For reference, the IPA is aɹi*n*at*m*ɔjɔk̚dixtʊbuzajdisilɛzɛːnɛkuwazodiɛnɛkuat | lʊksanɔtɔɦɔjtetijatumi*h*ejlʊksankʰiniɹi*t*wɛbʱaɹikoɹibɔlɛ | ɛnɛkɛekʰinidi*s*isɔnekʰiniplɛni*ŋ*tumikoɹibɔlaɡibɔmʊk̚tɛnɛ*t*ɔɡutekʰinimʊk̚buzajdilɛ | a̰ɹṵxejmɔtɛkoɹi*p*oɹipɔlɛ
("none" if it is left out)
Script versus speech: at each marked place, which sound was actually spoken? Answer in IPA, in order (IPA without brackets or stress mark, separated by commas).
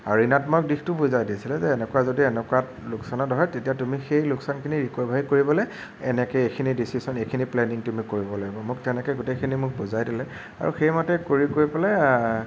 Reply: n, m, x, k, s, ŋ, k, k